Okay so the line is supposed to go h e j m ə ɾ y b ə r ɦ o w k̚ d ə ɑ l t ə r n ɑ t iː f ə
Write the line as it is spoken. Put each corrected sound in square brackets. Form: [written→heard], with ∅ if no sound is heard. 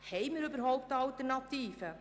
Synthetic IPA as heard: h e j m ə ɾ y b ə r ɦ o w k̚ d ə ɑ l t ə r n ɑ t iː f ə